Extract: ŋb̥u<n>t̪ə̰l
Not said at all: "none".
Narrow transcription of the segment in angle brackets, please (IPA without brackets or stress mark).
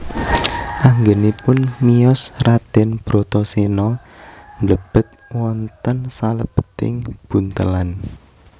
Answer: n